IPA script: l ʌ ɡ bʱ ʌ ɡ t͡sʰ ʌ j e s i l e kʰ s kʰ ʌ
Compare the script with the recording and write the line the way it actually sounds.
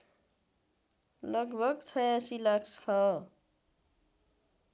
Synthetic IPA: l ʌ ɡ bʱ ʌ ɡ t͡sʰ ʌ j a s i l a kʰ s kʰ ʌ